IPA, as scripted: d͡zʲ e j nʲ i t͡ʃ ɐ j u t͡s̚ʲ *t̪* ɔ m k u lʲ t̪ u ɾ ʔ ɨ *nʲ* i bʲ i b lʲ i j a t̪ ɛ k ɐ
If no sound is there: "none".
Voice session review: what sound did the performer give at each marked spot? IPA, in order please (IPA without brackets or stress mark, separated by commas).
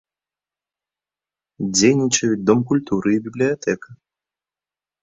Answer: d̪, none